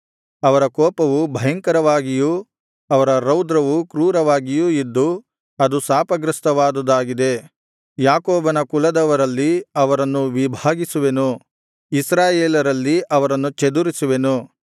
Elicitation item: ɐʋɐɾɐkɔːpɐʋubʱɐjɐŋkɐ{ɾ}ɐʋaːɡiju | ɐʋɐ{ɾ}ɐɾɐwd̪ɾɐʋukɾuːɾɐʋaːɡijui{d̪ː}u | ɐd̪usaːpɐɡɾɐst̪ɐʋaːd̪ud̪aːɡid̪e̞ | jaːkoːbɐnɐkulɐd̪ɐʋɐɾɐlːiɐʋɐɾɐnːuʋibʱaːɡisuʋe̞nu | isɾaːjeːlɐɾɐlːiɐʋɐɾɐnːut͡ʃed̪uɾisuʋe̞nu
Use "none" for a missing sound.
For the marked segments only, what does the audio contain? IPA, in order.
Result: ɾ, ɾ, d̪ː

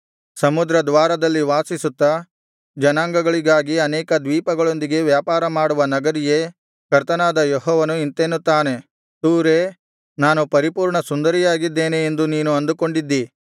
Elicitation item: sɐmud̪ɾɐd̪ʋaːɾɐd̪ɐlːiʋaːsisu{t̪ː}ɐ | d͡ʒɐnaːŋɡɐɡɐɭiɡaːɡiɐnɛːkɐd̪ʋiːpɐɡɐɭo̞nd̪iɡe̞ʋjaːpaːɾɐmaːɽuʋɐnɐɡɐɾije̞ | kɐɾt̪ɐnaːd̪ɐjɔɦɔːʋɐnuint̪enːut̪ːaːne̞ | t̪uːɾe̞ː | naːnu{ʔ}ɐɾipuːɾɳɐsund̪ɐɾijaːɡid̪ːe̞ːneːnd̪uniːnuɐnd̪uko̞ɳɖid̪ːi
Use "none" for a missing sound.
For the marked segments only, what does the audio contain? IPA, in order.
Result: t̪ː, p

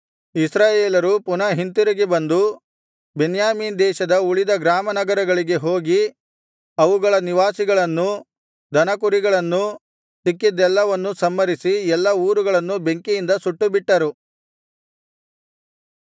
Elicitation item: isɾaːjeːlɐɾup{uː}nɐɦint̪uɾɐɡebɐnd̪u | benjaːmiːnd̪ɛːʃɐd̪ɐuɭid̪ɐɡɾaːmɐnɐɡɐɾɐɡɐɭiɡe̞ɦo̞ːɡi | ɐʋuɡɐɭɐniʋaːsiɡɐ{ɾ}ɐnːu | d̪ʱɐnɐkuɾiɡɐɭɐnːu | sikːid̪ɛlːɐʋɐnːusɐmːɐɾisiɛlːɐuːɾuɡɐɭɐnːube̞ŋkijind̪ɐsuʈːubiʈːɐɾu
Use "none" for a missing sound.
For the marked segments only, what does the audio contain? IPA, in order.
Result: u, ɭ

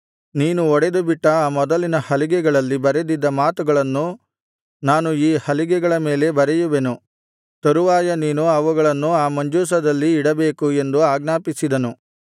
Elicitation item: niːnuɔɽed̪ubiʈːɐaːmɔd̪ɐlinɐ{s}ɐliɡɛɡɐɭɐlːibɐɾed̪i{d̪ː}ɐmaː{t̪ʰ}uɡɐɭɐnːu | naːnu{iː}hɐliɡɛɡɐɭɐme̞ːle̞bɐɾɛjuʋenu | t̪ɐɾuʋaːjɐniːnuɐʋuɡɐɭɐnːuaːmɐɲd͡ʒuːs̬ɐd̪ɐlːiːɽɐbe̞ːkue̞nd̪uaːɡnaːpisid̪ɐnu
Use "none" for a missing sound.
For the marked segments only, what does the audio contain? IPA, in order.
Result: h, d̪ː, t̪, iː

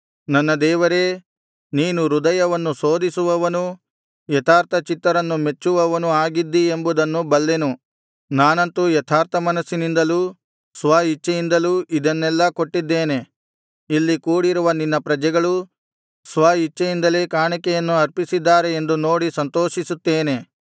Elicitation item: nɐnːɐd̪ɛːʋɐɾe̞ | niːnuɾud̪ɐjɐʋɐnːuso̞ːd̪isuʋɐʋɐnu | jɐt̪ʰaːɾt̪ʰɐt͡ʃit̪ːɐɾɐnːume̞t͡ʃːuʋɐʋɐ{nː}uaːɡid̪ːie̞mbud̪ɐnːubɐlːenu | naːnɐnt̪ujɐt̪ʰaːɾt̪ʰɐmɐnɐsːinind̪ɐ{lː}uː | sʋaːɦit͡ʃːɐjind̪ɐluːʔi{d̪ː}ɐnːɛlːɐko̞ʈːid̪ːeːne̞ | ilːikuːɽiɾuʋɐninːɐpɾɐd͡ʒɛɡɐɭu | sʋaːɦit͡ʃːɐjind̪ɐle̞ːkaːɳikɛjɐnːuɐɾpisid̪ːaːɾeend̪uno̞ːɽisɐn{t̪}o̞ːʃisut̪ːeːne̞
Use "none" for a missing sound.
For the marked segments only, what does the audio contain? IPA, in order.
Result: n, l, d̪, t̪

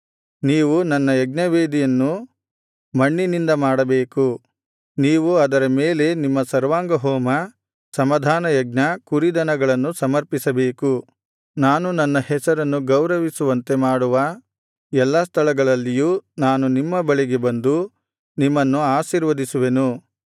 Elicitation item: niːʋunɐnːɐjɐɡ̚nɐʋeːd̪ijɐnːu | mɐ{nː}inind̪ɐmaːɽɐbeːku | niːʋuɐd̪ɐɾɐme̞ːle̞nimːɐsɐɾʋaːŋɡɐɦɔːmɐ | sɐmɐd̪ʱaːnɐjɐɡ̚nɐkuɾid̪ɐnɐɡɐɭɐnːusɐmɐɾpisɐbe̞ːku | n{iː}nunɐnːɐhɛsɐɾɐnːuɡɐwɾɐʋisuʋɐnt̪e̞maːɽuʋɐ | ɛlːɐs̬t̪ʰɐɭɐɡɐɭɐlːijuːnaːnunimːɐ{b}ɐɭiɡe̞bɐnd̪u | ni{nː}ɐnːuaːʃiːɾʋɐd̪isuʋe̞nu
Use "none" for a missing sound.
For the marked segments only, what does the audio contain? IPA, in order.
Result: ɳː, aː, b, mː

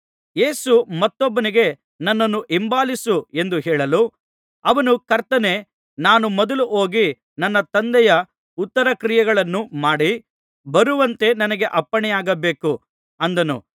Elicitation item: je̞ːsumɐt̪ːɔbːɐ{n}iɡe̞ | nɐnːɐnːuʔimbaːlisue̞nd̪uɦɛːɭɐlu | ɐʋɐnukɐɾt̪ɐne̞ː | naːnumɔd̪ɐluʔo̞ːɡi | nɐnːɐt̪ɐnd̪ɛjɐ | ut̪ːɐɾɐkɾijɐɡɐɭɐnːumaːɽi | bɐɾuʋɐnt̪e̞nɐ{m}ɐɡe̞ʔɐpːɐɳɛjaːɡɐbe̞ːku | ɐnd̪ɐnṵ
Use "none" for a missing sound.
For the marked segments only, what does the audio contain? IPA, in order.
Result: n, n

